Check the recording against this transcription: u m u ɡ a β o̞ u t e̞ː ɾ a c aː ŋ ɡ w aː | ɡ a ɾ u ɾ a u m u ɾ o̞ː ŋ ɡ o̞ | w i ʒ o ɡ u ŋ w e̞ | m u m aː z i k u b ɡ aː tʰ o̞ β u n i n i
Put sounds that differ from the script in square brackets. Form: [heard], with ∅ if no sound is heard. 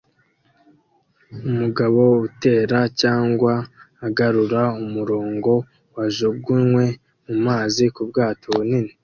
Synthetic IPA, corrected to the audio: u m u ɡ a β o̞ u t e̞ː ɾ a c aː ŋ ɡ w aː | ɡ a ɾ u ɾ a u m u ɾ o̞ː ŋ ɡ o̞ | w [a] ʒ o ɡ u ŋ w e̞ | m u m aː z i k u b ɡ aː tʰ o̞ β u n i n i